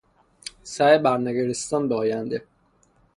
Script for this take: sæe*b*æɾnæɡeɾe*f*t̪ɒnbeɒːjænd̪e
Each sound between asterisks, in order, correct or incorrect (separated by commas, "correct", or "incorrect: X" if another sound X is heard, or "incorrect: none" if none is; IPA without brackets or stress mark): correct, incorrect: s